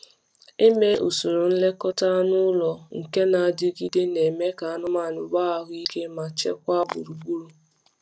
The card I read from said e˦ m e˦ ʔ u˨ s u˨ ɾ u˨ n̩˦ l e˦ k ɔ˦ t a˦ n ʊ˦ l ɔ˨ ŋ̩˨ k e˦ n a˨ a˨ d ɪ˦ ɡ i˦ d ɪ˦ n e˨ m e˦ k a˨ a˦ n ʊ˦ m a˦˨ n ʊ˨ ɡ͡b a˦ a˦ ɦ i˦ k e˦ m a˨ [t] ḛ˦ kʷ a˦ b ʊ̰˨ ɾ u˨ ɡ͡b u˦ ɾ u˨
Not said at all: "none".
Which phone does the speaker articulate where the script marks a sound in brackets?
t͡ʃ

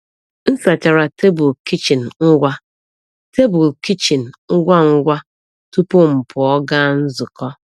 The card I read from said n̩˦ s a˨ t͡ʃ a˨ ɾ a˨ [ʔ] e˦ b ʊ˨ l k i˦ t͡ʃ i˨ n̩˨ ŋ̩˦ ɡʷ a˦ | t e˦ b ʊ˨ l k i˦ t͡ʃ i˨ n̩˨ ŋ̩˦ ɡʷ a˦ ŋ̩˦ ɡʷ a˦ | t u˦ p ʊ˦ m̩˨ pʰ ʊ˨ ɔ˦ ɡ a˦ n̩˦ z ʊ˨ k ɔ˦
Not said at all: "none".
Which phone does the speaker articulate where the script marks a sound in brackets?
t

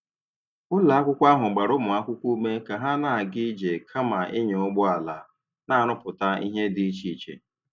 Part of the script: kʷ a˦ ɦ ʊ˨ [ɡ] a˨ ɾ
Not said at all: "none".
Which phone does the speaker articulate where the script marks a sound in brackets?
ɡ͡b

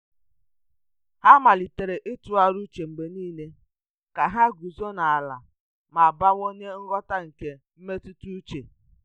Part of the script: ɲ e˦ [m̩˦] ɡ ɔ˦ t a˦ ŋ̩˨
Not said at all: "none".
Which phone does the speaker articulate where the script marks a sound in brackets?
ŋ̩˦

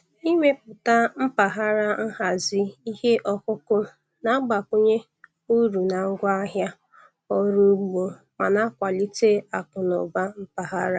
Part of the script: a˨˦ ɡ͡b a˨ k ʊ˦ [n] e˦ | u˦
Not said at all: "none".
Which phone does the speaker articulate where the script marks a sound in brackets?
ɲ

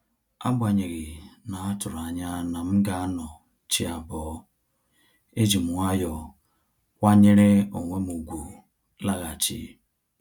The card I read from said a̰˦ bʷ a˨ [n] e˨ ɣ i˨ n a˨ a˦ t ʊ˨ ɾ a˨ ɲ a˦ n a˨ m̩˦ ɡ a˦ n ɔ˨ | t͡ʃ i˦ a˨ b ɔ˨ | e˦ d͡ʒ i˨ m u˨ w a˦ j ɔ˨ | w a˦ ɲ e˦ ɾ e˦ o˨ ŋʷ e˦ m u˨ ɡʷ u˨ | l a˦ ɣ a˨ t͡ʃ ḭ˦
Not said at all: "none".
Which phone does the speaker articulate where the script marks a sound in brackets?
ɲ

